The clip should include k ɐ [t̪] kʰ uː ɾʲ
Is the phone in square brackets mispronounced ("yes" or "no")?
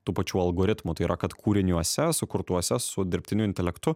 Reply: no